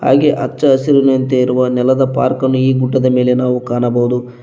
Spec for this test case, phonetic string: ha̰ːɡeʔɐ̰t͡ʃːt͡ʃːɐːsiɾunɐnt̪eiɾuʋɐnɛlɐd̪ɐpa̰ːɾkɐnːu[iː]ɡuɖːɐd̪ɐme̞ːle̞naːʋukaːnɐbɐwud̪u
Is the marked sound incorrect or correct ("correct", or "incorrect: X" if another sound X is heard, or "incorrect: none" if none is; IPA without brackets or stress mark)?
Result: correct